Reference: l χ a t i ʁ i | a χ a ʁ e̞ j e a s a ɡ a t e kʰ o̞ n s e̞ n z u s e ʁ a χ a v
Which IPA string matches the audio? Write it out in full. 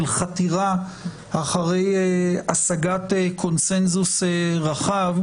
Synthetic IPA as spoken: l χ a t i ʁ a | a χ a ʁ e̞ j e a s a ɡ a t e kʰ o̞ n s e̞ n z u s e ʁ a χ a v